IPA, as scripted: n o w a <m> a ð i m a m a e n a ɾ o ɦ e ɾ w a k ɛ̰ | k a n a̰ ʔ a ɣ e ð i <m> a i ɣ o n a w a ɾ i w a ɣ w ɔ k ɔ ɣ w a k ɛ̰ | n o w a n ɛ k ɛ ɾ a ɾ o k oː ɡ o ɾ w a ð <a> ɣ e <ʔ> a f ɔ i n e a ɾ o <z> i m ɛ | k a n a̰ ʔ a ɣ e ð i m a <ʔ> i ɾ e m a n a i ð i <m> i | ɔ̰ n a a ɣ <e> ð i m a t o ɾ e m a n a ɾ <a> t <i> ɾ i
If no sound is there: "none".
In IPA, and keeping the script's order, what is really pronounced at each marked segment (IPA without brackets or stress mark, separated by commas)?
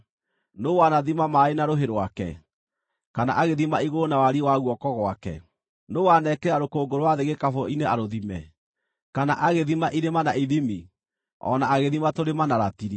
n, m, e, k, ð, ʔ, m, e, a, i